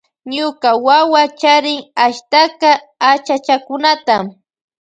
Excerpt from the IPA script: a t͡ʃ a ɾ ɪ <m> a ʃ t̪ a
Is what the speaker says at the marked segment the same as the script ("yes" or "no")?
no